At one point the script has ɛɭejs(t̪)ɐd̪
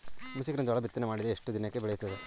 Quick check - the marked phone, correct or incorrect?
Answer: correct